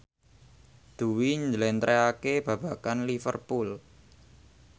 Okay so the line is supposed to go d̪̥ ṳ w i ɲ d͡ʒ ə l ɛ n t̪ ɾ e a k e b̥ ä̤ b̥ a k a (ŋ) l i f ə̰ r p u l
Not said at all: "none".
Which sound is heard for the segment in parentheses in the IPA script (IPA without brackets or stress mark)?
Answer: n